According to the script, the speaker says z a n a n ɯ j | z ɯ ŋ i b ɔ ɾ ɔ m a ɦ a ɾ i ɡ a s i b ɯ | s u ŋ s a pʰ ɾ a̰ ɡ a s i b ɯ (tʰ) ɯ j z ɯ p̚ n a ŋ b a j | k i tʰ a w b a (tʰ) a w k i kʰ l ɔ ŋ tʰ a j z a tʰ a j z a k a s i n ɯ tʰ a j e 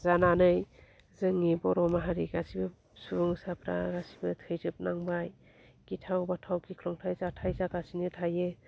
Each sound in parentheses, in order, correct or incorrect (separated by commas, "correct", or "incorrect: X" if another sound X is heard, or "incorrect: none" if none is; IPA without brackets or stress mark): correct, correct